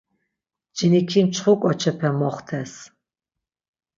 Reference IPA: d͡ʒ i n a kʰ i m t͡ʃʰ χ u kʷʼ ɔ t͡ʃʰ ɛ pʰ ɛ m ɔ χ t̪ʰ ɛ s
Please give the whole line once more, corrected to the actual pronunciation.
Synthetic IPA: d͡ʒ i n i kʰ i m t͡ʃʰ χ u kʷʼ ɔ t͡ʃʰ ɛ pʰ ɛ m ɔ χ t̪ʰ ɛ s